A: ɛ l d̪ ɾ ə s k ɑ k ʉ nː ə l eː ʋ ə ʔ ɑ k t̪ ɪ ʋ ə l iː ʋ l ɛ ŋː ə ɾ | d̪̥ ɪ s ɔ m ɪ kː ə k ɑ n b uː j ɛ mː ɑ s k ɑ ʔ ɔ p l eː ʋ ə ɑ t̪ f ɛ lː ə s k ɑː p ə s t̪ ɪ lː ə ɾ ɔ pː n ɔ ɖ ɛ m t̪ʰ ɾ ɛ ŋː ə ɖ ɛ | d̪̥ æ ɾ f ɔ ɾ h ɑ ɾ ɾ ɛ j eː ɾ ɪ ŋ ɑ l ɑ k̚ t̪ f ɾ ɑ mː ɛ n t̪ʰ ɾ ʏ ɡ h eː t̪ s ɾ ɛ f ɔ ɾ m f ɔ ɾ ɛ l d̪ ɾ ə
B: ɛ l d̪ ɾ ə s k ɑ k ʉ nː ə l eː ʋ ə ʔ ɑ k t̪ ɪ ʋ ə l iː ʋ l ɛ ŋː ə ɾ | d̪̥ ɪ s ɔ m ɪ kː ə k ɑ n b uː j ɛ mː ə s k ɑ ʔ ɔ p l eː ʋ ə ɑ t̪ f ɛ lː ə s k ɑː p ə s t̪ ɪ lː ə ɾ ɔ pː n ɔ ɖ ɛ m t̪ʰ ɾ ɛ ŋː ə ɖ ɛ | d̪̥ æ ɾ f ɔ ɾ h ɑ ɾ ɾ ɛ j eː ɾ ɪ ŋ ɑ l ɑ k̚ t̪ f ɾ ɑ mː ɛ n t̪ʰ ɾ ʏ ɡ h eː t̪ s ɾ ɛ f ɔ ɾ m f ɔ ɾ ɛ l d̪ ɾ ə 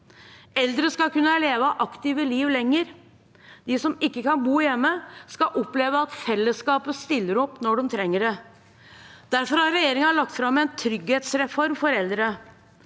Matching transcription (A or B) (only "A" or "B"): B